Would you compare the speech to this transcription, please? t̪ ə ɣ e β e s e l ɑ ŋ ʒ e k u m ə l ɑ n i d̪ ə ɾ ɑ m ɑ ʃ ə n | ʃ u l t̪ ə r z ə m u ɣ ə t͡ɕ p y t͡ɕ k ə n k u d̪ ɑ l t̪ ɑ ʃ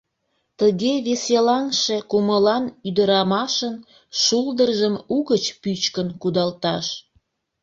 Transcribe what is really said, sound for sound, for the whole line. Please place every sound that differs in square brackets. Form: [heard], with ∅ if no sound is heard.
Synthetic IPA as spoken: t̪ ə ɣ e β e s e l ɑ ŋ [ʃ] e k u m ə l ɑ n [y] d̪ ə ɾ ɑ m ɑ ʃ ə n | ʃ u l [d̪] ə r [ʒ] ə m u ɣ ə t͡ɕ p y t͡ɕ k ə n k u d̪ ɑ l t̪ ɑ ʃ